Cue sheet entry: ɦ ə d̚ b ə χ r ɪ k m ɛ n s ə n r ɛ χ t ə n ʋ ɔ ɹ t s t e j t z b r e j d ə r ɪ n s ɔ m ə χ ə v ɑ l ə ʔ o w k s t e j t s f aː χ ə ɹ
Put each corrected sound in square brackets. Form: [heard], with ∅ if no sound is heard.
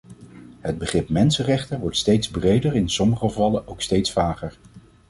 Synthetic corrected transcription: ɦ ə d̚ b ə χ r ɪ [p] m ɛ n s ə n r ɛ χ t ə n ʋ ɔ ɹ t s t e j t z b r e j d ə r ɪ n s ɔ m ə χ ə v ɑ l ə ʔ o w k s t e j t s f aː χ ə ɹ